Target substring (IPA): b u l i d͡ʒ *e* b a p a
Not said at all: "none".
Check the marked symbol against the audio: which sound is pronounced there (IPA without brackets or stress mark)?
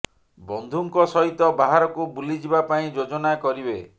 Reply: i